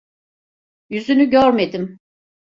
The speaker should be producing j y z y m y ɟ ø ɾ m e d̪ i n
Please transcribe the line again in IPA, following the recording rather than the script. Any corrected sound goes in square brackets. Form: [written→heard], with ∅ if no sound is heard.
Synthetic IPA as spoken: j y z y [m→n] y ɟ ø ɾ m e d̪ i [n→m]